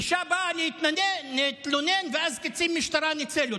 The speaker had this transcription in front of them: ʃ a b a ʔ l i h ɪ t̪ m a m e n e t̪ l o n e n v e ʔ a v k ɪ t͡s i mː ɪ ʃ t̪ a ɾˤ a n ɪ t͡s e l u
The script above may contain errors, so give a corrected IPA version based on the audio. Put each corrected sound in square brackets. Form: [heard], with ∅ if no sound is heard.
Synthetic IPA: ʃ a b a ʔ l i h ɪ t̪ [n] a [n] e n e t̪ l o n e n v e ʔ a [z] k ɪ t͡s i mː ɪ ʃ t̪ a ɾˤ a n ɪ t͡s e l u